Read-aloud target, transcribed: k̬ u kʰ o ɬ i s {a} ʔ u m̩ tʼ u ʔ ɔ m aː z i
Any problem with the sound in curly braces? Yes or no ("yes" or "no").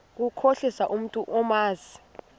no